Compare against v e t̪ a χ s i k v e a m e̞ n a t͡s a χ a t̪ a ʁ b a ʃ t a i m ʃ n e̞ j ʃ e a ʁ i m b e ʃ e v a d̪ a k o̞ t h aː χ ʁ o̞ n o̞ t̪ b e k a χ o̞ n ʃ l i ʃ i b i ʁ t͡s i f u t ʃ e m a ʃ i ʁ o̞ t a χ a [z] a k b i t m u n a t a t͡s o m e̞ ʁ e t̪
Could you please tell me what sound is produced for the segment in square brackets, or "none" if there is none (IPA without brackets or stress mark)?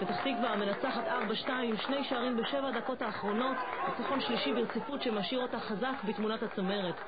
z